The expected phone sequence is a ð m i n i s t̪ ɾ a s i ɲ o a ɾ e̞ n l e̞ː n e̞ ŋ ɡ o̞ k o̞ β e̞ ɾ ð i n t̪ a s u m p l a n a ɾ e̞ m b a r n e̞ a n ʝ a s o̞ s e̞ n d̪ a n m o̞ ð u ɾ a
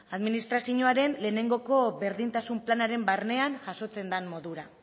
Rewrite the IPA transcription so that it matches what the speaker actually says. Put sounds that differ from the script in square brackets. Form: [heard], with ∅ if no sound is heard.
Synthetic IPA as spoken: a ð m i n i s t̪ ɾ a s i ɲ o a ɾ e̞ n l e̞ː n e̞ ŋ ɡ o̞ k o̞ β e̞ ɾ ð i n t̪ a s u m p l a n a ɾ e̞ m b a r n e̞ a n ʝ a s o̞ [t͡s] e̞ n d̪ a n m o̞ ð u ɾ a